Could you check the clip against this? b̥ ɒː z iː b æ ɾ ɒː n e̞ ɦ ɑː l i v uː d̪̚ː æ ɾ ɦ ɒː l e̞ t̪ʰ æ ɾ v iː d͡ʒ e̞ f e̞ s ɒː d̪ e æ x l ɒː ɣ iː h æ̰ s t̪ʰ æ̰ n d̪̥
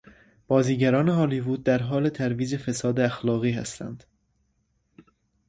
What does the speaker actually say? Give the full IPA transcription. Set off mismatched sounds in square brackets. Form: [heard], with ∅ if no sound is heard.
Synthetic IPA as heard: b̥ ɒː z iː [ɟ] æ ɾ ɒː n e̞ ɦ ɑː l i v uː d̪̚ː æ ɾ ɦ ɒː l e̞ t̪ʰ æ ɾ v iː d͡ʒ e̞ f e̞ s ɒː d̪ e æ x l ɒː ɣ iː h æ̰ s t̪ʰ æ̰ n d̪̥